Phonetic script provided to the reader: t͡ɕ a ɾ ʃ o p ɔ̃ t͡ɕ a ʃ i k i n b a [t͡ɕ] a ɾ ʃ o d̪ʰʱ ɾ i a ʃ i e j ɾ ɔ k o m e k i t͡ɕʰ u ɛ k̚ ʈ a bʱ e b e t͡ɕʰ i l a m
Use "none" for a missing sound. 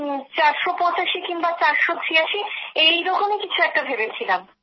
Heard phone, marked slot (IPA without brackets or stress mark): t͡ɕ